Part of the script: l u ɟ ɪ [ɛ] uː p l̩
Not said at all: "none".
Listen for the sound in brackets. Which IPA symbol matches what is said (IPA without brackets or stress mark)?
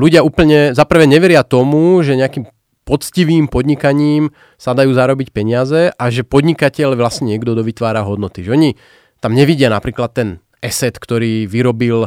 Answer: a